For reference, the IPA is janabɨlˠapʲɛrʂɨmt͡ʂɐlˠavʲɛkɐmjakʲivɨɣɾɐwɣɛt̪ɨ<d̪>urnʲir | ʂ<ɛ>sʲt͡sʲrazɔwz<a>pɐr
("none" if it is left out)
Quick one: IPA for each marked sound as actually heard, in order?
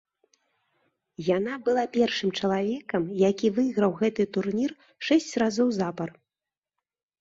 t̪, ɛ, a

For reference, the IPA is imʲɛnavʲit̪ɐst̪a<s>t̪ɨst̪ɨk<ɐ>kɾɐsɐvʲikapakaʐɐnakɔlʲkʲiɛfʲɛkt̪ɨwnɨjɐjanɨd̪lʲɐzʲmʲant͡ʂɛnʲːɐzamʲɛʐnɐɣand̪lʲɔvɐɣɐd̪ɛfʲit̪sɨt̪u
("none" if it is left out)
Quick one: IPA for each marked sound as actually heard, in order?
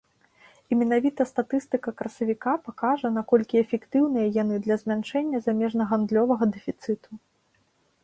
none, ɐ

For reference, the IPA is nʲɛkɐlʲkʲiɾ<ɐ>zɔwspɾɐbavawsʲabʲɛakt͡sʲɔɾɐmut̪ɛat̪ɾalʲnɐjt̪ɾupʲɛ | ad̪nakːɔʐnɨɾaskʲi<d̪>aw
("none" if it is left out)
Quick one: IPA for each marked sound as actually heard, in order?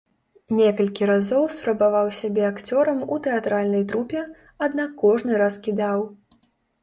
a, d̪

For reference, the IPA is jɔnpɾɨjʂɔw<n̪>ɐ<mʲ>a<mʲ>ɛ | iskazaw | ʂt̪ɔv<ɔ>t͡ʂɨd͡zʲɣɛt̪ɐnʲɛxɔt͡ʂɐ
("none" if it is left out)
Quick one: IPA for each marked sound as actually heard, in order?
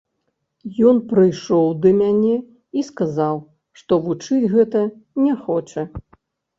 d̪, mʲ, nʲ, u

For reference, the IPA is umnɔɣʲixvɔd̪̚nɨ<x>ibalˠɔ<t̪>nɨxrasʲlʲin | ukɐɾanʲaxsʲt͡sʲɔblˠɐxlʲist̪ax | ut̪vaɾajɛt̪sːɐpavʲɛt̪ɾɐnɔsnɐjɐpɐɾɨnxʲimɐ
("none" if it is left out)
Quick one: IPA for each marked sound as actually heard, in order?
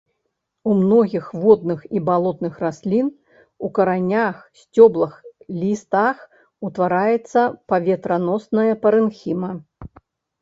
x, t̪

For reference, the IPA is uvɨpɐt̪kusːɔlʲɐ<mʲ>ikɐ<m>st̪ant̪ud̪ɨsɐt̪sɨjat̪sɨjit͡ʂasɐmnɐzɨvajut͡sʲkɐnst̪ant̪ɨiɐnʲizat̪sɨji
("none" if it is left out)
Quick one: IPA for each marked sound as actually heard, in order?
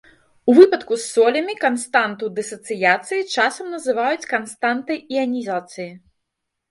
mʲ, n

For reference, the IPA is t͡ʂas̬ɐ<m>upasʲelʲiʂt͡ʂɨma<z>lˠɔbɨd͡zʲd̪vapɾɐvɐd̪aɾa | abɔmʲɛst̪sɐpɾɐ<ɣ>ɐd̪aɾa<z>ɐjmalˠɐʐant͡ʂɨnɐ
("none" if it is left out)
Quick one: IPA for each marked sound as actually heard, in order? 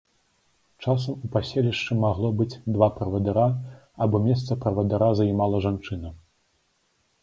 m, ɣ, v, z

